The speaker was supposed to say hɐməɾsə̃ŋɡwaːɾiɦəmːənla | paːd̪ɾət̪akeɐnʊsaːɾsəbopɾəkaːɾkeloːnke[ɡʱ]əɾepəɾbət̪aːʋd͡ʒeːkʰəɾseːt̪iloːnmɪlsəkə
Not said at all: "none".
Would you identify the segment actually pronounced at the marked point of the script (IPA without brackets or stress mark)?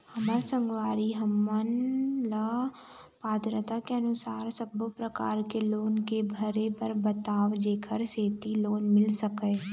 bʱ